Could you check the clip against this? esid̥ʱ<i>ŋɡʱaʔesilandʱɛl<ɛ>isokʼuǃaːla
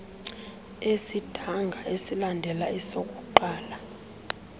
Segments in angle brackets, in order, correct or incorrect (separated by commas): incorrect, incorrect